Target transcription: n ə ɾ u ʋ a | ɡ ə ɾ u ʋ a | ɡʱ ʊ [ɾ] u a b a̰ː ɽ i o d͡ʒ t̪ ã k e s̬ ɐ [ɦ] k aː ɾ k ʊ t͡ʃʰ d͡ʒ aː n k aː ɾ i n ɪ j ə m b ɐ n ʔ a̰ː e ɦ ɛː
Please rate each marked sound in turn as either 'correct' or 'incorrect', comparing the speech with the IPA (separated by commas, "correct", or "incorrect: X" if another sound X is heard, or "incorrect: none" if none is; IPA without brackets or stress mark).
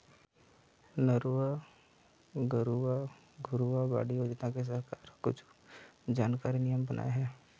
correct, correct